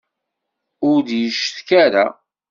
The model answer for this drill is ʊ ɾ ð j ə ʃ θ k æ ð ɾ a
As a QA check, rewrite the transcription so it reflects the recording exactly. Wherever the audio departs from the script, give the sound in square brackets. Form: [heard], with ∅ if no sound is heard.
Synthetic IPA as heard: ʊ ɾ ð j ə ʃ θ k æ [∅] ɾ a